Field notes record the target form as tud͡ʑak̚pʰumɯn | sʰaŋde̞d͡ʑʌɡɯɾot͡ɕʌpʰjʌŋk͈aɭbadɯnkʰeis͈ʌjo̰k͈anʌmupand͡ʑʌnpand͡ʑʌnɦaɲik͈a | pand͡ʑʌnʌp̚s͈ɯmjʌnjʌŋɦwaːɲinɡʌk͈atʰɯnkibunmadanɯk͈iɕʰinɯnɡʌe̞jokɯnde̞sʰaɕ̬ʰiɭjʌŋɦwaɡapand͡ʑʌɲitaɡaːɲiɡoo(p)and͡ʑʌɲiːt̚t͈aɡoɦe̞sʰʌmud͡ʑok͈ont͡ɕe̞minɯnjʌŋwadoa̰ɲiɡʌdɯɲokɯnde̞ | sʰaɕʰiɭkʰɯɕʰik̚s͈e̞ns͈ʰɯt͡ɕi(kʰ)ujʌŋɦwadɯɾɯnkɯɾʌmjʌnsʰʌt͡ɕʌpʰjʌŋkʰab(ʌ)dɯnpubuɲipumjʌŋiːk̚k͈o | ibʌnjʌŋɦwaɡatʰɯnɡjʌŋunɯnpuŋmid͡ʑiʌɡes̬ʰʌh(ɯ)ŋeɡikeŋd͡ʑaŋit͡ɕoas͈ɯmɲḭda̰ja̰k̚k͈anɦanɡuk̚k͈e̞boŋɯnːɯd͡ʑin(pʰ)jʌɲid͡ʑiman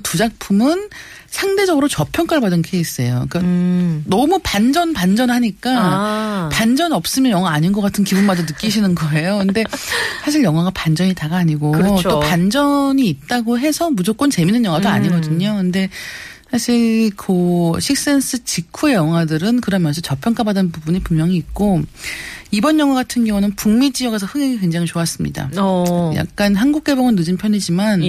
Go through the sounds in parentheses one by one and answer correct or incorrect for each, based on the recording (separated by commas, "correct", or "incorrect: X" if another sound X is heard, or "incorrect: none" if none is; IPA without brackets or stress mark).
correct, correct, incorrect: a, correct, correct